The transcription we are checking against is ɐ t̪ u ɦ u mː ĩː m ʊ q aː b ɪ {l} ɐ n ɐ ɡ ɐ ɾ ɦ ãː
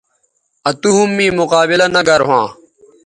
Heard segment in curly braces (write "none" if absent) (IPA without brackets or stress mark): l